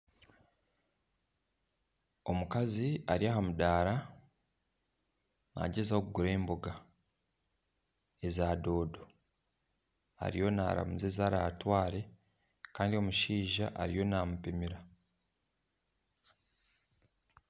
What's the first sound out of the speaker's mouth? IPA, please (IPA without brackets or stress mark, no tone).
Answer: o̞